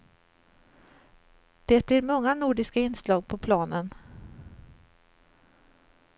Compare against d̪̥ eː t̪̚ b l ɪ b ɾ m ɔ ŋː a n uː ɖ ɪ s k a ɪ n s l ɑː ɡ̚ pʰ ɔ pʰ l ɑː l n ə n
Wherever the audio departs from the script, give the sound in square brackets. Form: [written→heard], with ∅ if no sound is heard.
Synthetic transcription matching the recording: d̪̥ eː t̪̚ b l ɪ [b→∅] ɾ m ɔ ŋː a n uː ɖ ɪ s k a ɪ n s l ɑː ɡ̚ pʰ ɔ pʰ l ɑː [l→∅] n ə n